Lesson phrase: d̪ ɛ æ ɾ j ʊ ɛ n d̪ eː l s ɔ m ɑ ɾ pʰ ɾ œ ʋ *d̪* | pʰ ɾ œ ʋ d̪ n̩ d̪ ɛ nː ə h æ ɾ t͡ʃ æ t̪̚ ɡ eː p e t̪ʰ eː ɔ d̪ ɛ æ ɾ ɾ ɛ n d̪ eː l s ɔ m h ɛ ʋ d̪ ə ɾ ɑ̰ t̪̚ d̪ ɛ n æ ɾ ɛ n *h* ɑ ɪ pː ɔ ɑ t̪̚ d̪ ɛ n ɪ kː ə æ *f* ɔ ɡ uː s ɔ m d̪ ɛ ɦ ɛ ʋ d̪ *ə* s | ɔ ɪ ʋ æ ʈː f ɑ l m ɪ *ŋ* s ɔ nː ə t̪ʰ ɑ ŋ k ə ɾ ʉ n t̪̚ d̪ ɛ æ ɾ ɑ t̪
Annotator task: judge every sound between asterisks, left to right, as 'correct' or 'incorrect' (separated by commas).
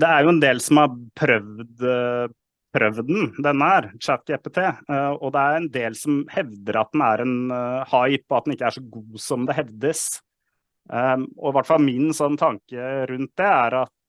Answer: correct, correct, incorrect, correct, incorrect